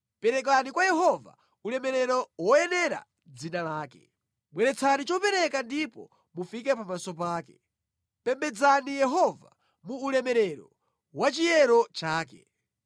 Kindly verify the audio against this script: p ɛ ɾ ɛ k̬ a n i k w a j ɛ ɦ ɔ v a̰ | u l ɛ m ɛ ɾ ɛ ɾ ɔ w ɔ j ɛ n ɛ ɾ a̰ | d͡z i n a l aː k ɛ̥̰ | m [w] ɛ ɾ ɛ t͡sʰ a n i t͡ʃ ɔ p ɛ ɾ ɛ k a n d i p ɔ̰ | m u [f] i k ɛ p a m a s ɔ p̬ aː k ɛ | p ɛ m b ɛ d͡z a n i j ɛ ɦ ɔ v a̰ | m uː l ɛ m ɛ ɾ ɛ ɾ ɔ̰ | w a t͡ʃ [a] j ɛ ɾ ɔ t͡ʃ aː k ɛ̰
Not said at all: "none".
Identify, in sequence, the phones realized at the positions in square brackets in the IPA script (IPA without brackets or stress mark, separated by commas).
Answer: w, f, i